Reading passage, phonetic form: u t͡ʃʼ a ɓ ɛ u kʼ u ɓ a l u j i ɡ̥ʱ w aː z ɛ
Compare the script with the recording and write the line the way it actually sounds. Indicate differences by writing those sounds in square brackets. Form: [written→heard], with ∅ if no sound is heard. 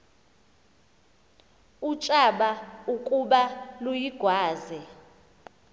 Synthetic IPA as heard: u t͡ʃʼ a ɓ [ɛ→a] u kʼ u ɓ a l u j i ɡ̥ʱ w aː z ɛ